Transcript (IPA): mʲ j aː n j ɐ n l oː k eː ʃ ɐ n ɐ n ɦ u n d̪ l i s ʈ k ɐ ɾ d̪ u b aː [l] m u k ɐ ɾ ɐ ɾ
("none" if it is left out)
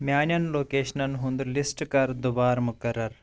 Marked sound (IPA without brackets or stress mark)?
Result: ɾ